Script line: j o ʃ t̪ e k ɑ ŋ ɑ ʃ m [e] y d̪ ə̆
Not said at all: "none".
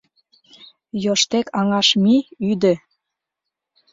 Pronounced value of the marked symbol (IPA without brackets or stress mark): i